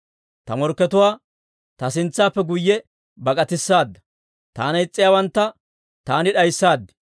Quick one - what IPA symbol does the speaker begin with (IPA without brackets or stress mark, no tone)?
t̪